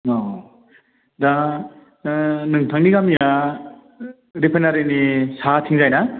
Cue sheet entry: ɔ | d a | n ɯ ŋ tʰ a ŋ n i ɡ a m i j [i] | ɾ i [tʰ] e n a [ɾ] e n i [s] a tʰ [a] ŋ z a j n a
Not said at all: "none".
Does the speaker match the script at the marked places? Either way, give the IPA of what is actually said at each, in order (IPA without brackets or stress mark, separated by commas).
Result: a, pʰ, ɾ, s, i